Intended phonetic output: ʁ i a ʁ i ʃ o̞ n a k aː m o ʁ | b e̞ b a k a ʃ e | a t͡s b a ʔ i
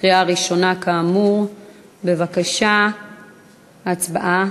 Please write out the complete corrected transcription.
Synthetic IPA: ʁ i a ʁ i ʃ o̞ n a k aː m u ʁ | b e̞ v a k a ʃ a | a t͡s b a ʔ a

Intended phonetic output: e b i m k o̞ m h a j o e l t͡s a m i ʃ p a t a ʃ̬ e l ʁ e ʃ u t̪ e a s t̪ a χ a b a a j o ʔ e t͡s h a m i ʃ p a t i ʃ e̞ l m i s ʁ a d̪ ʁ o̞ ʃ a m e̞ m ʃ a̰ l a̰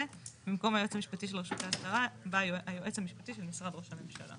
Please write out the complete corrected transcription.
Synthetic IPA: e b i m k o̞ m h a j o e t͡s a m i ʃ p a t i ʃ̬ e l ʁ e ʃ u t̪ e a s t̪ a ʁ a b a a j o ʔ e t͡s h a m i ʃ p a t i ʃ e̞ l m i s ʁ a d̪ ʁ o̞ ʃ a m e̞ m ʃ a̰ l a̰

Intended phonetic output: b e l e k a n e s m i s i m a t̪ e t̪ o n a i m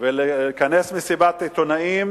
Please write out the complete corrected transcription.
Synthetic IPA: v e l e k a n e s m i s i b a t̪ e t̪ o n a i m

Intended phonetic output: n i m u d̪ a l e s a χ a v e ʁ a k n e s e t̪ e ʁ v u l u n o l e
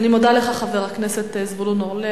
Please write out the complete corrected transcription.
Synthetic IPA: n i m o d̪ a l e χ a χ a v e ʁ a k n e s e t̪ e z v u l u n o l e

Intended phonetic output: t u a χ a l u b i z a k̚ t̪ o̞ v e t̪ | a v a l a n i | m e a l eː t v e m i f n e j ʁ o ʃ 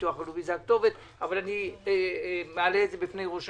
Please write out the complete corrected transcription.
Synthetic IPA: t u a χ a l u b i z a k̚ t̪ o̞ v e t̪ | a v a l a n i | m e a l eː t z e b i f n e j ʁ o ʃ

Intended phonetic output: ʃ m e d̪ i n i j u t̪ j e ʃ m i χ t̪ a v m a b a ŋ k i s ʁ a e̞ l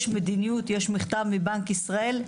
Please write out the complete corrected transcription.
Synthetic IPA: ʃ m e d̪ i n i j u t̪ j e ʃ m i χ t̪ a v m i b a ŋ k i s ʁ a e̞ l

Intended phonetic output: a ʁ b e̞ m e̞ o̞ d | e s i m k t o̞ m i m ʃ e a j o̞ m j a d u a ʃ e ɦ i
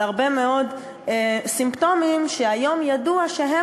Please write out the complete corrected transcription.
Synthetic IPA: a ʁ b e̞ m e̞ o̞ d | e s i m p t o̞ m i m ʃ e a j o̞ m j a d u a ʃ e ɦ e

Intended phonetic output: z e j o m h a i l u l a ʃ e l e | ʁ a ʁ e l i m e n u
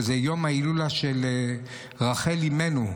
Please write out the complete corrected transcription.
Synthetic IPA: z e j o m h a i l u l a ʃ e l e | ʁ a χ e l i m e n u

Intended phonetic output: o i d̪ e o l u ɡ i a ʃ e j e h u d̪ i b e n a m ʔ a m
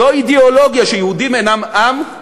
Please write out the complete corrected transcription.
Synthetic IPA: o i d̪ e o l o ɡ j a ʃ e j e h u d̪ i m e n a m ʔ a m

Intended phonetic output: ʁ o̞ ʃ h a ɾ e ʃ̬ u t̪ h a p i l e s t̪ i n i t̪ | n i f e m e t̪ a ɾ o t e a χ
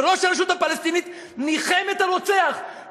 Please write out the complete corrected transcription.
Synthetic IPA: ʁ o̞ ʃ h a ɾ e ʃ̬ u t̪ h a p a l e s t̪ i n i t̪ | n i χ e m e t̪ a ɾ o t͡s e a χ

